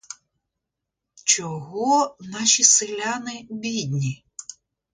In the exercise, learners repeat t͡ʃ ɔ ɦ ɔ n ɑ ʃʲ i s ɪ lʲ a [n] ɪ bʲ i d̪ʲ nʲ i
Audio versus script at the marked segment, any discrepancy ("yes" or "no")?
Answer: no